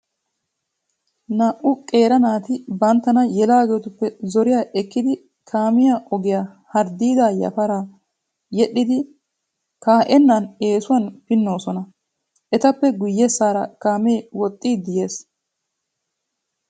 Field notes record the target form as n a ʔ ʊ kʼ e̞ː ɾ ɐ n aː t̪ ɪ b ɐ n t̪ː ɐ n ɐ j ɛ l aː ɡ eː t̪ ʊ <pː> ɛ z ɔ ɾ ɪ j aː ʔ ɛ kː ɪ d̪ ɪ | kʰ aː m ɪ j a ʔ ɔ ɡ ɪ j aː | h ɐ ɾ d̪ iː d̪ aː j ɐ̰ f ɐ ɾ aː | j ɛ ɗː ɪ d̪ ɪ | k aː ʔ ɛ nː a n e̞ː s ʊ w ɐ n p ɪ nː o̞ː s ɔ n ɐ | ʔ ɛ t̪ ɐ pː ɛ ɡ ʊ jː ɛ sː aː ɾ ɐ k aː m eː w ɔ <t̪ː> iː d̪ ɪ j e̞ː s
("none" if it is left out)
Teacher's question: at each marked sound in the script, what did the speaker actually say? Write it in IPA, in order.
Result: pː, t̪ʼː

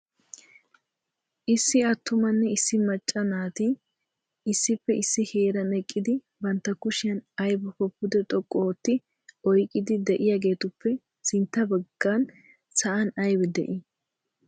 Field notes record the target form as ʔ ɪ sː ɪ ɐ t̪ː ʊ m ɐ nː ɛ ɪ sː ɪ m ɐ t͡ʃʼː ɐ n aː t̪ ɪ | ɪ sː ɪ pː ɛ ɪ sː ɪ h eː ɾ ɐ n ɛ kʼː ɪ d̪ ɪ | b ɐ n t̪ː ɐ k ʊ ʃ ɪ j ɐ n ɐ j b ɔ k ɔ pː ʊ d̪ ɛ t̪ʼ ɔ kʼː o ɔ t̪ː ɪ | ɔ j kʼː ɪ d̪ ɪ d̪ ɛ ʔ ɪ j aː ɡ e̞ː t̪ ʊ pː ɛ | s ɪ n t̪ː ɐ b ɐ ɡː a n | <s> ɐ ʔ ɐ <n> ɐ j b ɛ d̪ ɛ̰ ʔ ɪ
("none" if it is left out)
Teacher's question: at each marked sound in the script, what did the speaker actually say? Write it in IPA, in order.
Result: s, n

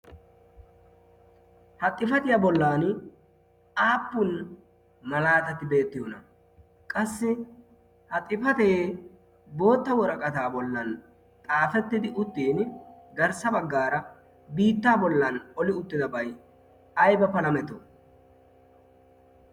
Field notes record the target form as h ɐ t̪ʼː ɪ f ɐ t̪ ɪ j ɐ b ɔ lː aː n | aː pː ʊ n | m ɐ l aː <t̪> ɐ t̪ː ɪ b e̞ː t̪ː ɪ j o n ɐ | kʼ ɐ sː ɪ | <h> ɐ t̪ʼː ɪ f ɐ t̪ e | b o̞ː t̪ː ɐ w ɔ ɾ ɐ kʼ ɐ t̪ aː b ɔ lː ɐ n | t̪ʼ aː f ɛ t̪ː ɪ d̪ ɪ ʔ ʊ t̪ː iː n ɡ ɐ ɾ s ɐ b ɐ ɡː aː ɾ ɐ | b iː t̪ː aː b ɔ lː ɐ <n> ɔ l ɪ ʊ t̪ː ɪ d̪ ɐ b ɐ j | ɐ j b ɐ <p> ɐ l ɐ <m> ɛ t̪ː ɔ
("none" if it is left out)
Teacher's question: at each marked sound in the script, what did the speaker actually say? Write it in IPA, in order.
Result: t̪, h, n, p, m

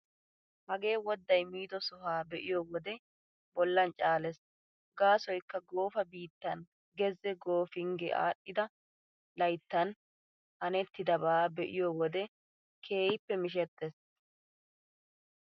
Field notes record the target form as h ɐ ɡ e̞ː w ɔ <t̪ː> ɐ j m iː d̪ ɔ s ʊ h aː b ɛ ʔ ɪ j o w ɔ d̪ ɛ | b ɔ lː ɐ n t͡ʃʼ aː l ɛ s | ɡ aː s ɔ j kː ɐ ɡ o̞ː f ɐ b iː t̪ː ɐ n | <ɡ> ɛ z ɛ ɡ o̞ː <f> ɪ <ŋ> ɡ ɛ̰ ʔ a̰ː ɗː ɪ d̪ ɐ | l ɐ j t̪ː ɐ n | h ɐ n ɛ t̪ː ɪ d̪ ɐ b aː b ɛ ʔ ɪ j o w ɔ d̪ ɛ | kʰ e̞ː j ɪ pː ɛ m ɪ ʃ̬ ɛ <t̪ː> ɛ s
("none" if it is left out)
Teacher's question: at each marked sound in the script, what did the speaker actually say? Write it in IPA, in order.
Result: d̪ː, ɡ, f, ŋ, t̪ː

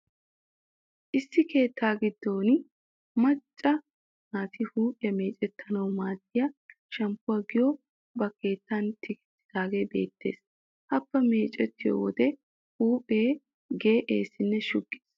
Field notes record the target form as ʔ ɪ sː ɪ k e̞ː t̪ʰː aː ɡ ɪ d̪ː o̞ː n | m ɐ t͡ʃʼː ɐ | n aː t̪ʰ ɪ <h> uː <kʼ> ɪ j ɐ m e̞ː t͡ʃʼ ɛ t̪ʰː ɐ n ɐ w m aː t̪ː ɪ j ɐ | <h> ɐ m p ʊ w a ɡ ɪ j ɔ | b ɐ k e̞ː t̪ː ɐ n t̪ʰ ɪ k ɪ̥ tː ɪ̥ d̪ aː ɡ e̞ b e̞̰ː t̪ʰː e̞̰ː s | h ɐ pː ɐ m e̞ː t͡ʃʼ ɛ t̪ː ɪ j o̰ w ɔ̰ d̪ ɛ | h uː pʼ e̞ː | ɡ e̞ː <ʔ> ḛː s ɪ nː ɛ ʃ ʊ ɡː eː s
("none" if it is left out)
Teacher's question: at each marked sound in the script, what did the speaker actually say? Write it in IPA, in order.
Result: h, pʼ, ʃ, ʔ

